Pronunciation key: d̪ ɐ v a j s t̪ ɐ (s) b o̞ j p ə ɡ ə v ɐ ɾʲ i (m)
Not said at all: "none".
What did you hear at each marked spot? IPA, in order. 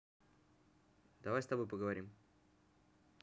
none, m

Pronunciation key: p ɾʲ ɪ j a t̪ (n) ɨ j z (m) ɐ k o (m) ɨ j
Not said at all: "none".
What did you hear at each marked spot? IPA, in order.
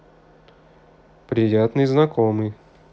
n, n, m

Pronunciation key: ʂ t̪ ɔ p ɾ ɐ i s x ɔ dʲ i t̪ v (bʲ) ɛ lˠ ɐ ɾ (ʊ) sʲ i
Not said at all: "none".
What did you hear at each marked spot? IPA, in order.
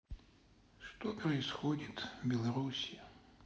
bʲ, u

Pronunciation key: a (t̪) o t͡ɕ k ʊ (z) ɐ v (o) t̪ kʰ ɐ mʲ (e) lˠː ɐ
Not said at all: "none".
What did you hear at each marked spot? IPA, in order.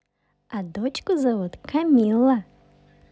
d̪, z, u, i

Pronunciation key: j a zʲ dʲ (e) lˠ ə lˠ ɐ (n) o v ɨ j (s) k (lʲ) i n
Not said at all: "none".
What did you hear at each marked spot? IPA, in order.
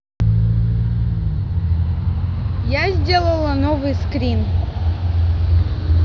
e, n, s, ɾʲ

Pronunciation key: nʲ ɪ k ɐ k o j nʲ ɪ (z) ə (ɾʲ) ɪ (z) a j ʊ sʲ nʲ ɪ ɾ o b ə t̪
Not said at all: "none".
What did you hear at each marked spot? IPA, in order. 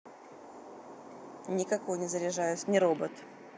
z, ɾʲ, ʐ

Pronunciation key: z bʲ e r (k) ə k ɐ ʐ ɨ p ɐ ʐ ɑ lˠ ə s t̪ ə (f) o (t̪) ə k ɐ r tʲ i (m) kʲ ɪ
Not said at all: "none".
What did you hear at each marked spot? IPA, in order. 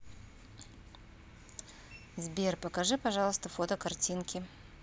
p, f, t̪, n

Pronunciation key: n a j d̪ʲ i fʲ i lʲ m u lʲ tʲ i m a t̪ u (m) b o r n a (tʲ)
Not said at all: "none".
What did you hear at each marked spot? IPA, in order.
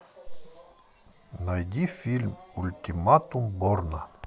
m, none

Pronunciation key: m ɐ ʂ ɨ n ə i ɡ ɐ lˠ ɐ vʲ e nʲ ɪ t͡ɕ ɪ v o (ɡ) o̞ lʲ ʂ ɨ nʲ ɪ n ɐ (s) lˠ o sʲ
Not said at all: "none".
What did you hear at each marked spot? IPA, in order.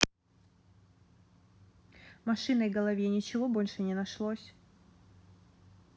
b, ʂ

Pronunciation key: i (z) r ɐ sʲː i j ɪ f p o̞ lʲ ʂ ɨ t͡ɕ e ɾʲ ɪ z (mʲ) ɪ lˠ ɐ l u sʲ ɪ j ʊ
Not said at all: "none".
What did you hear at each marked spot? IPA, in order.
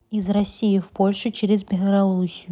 z, bʲ

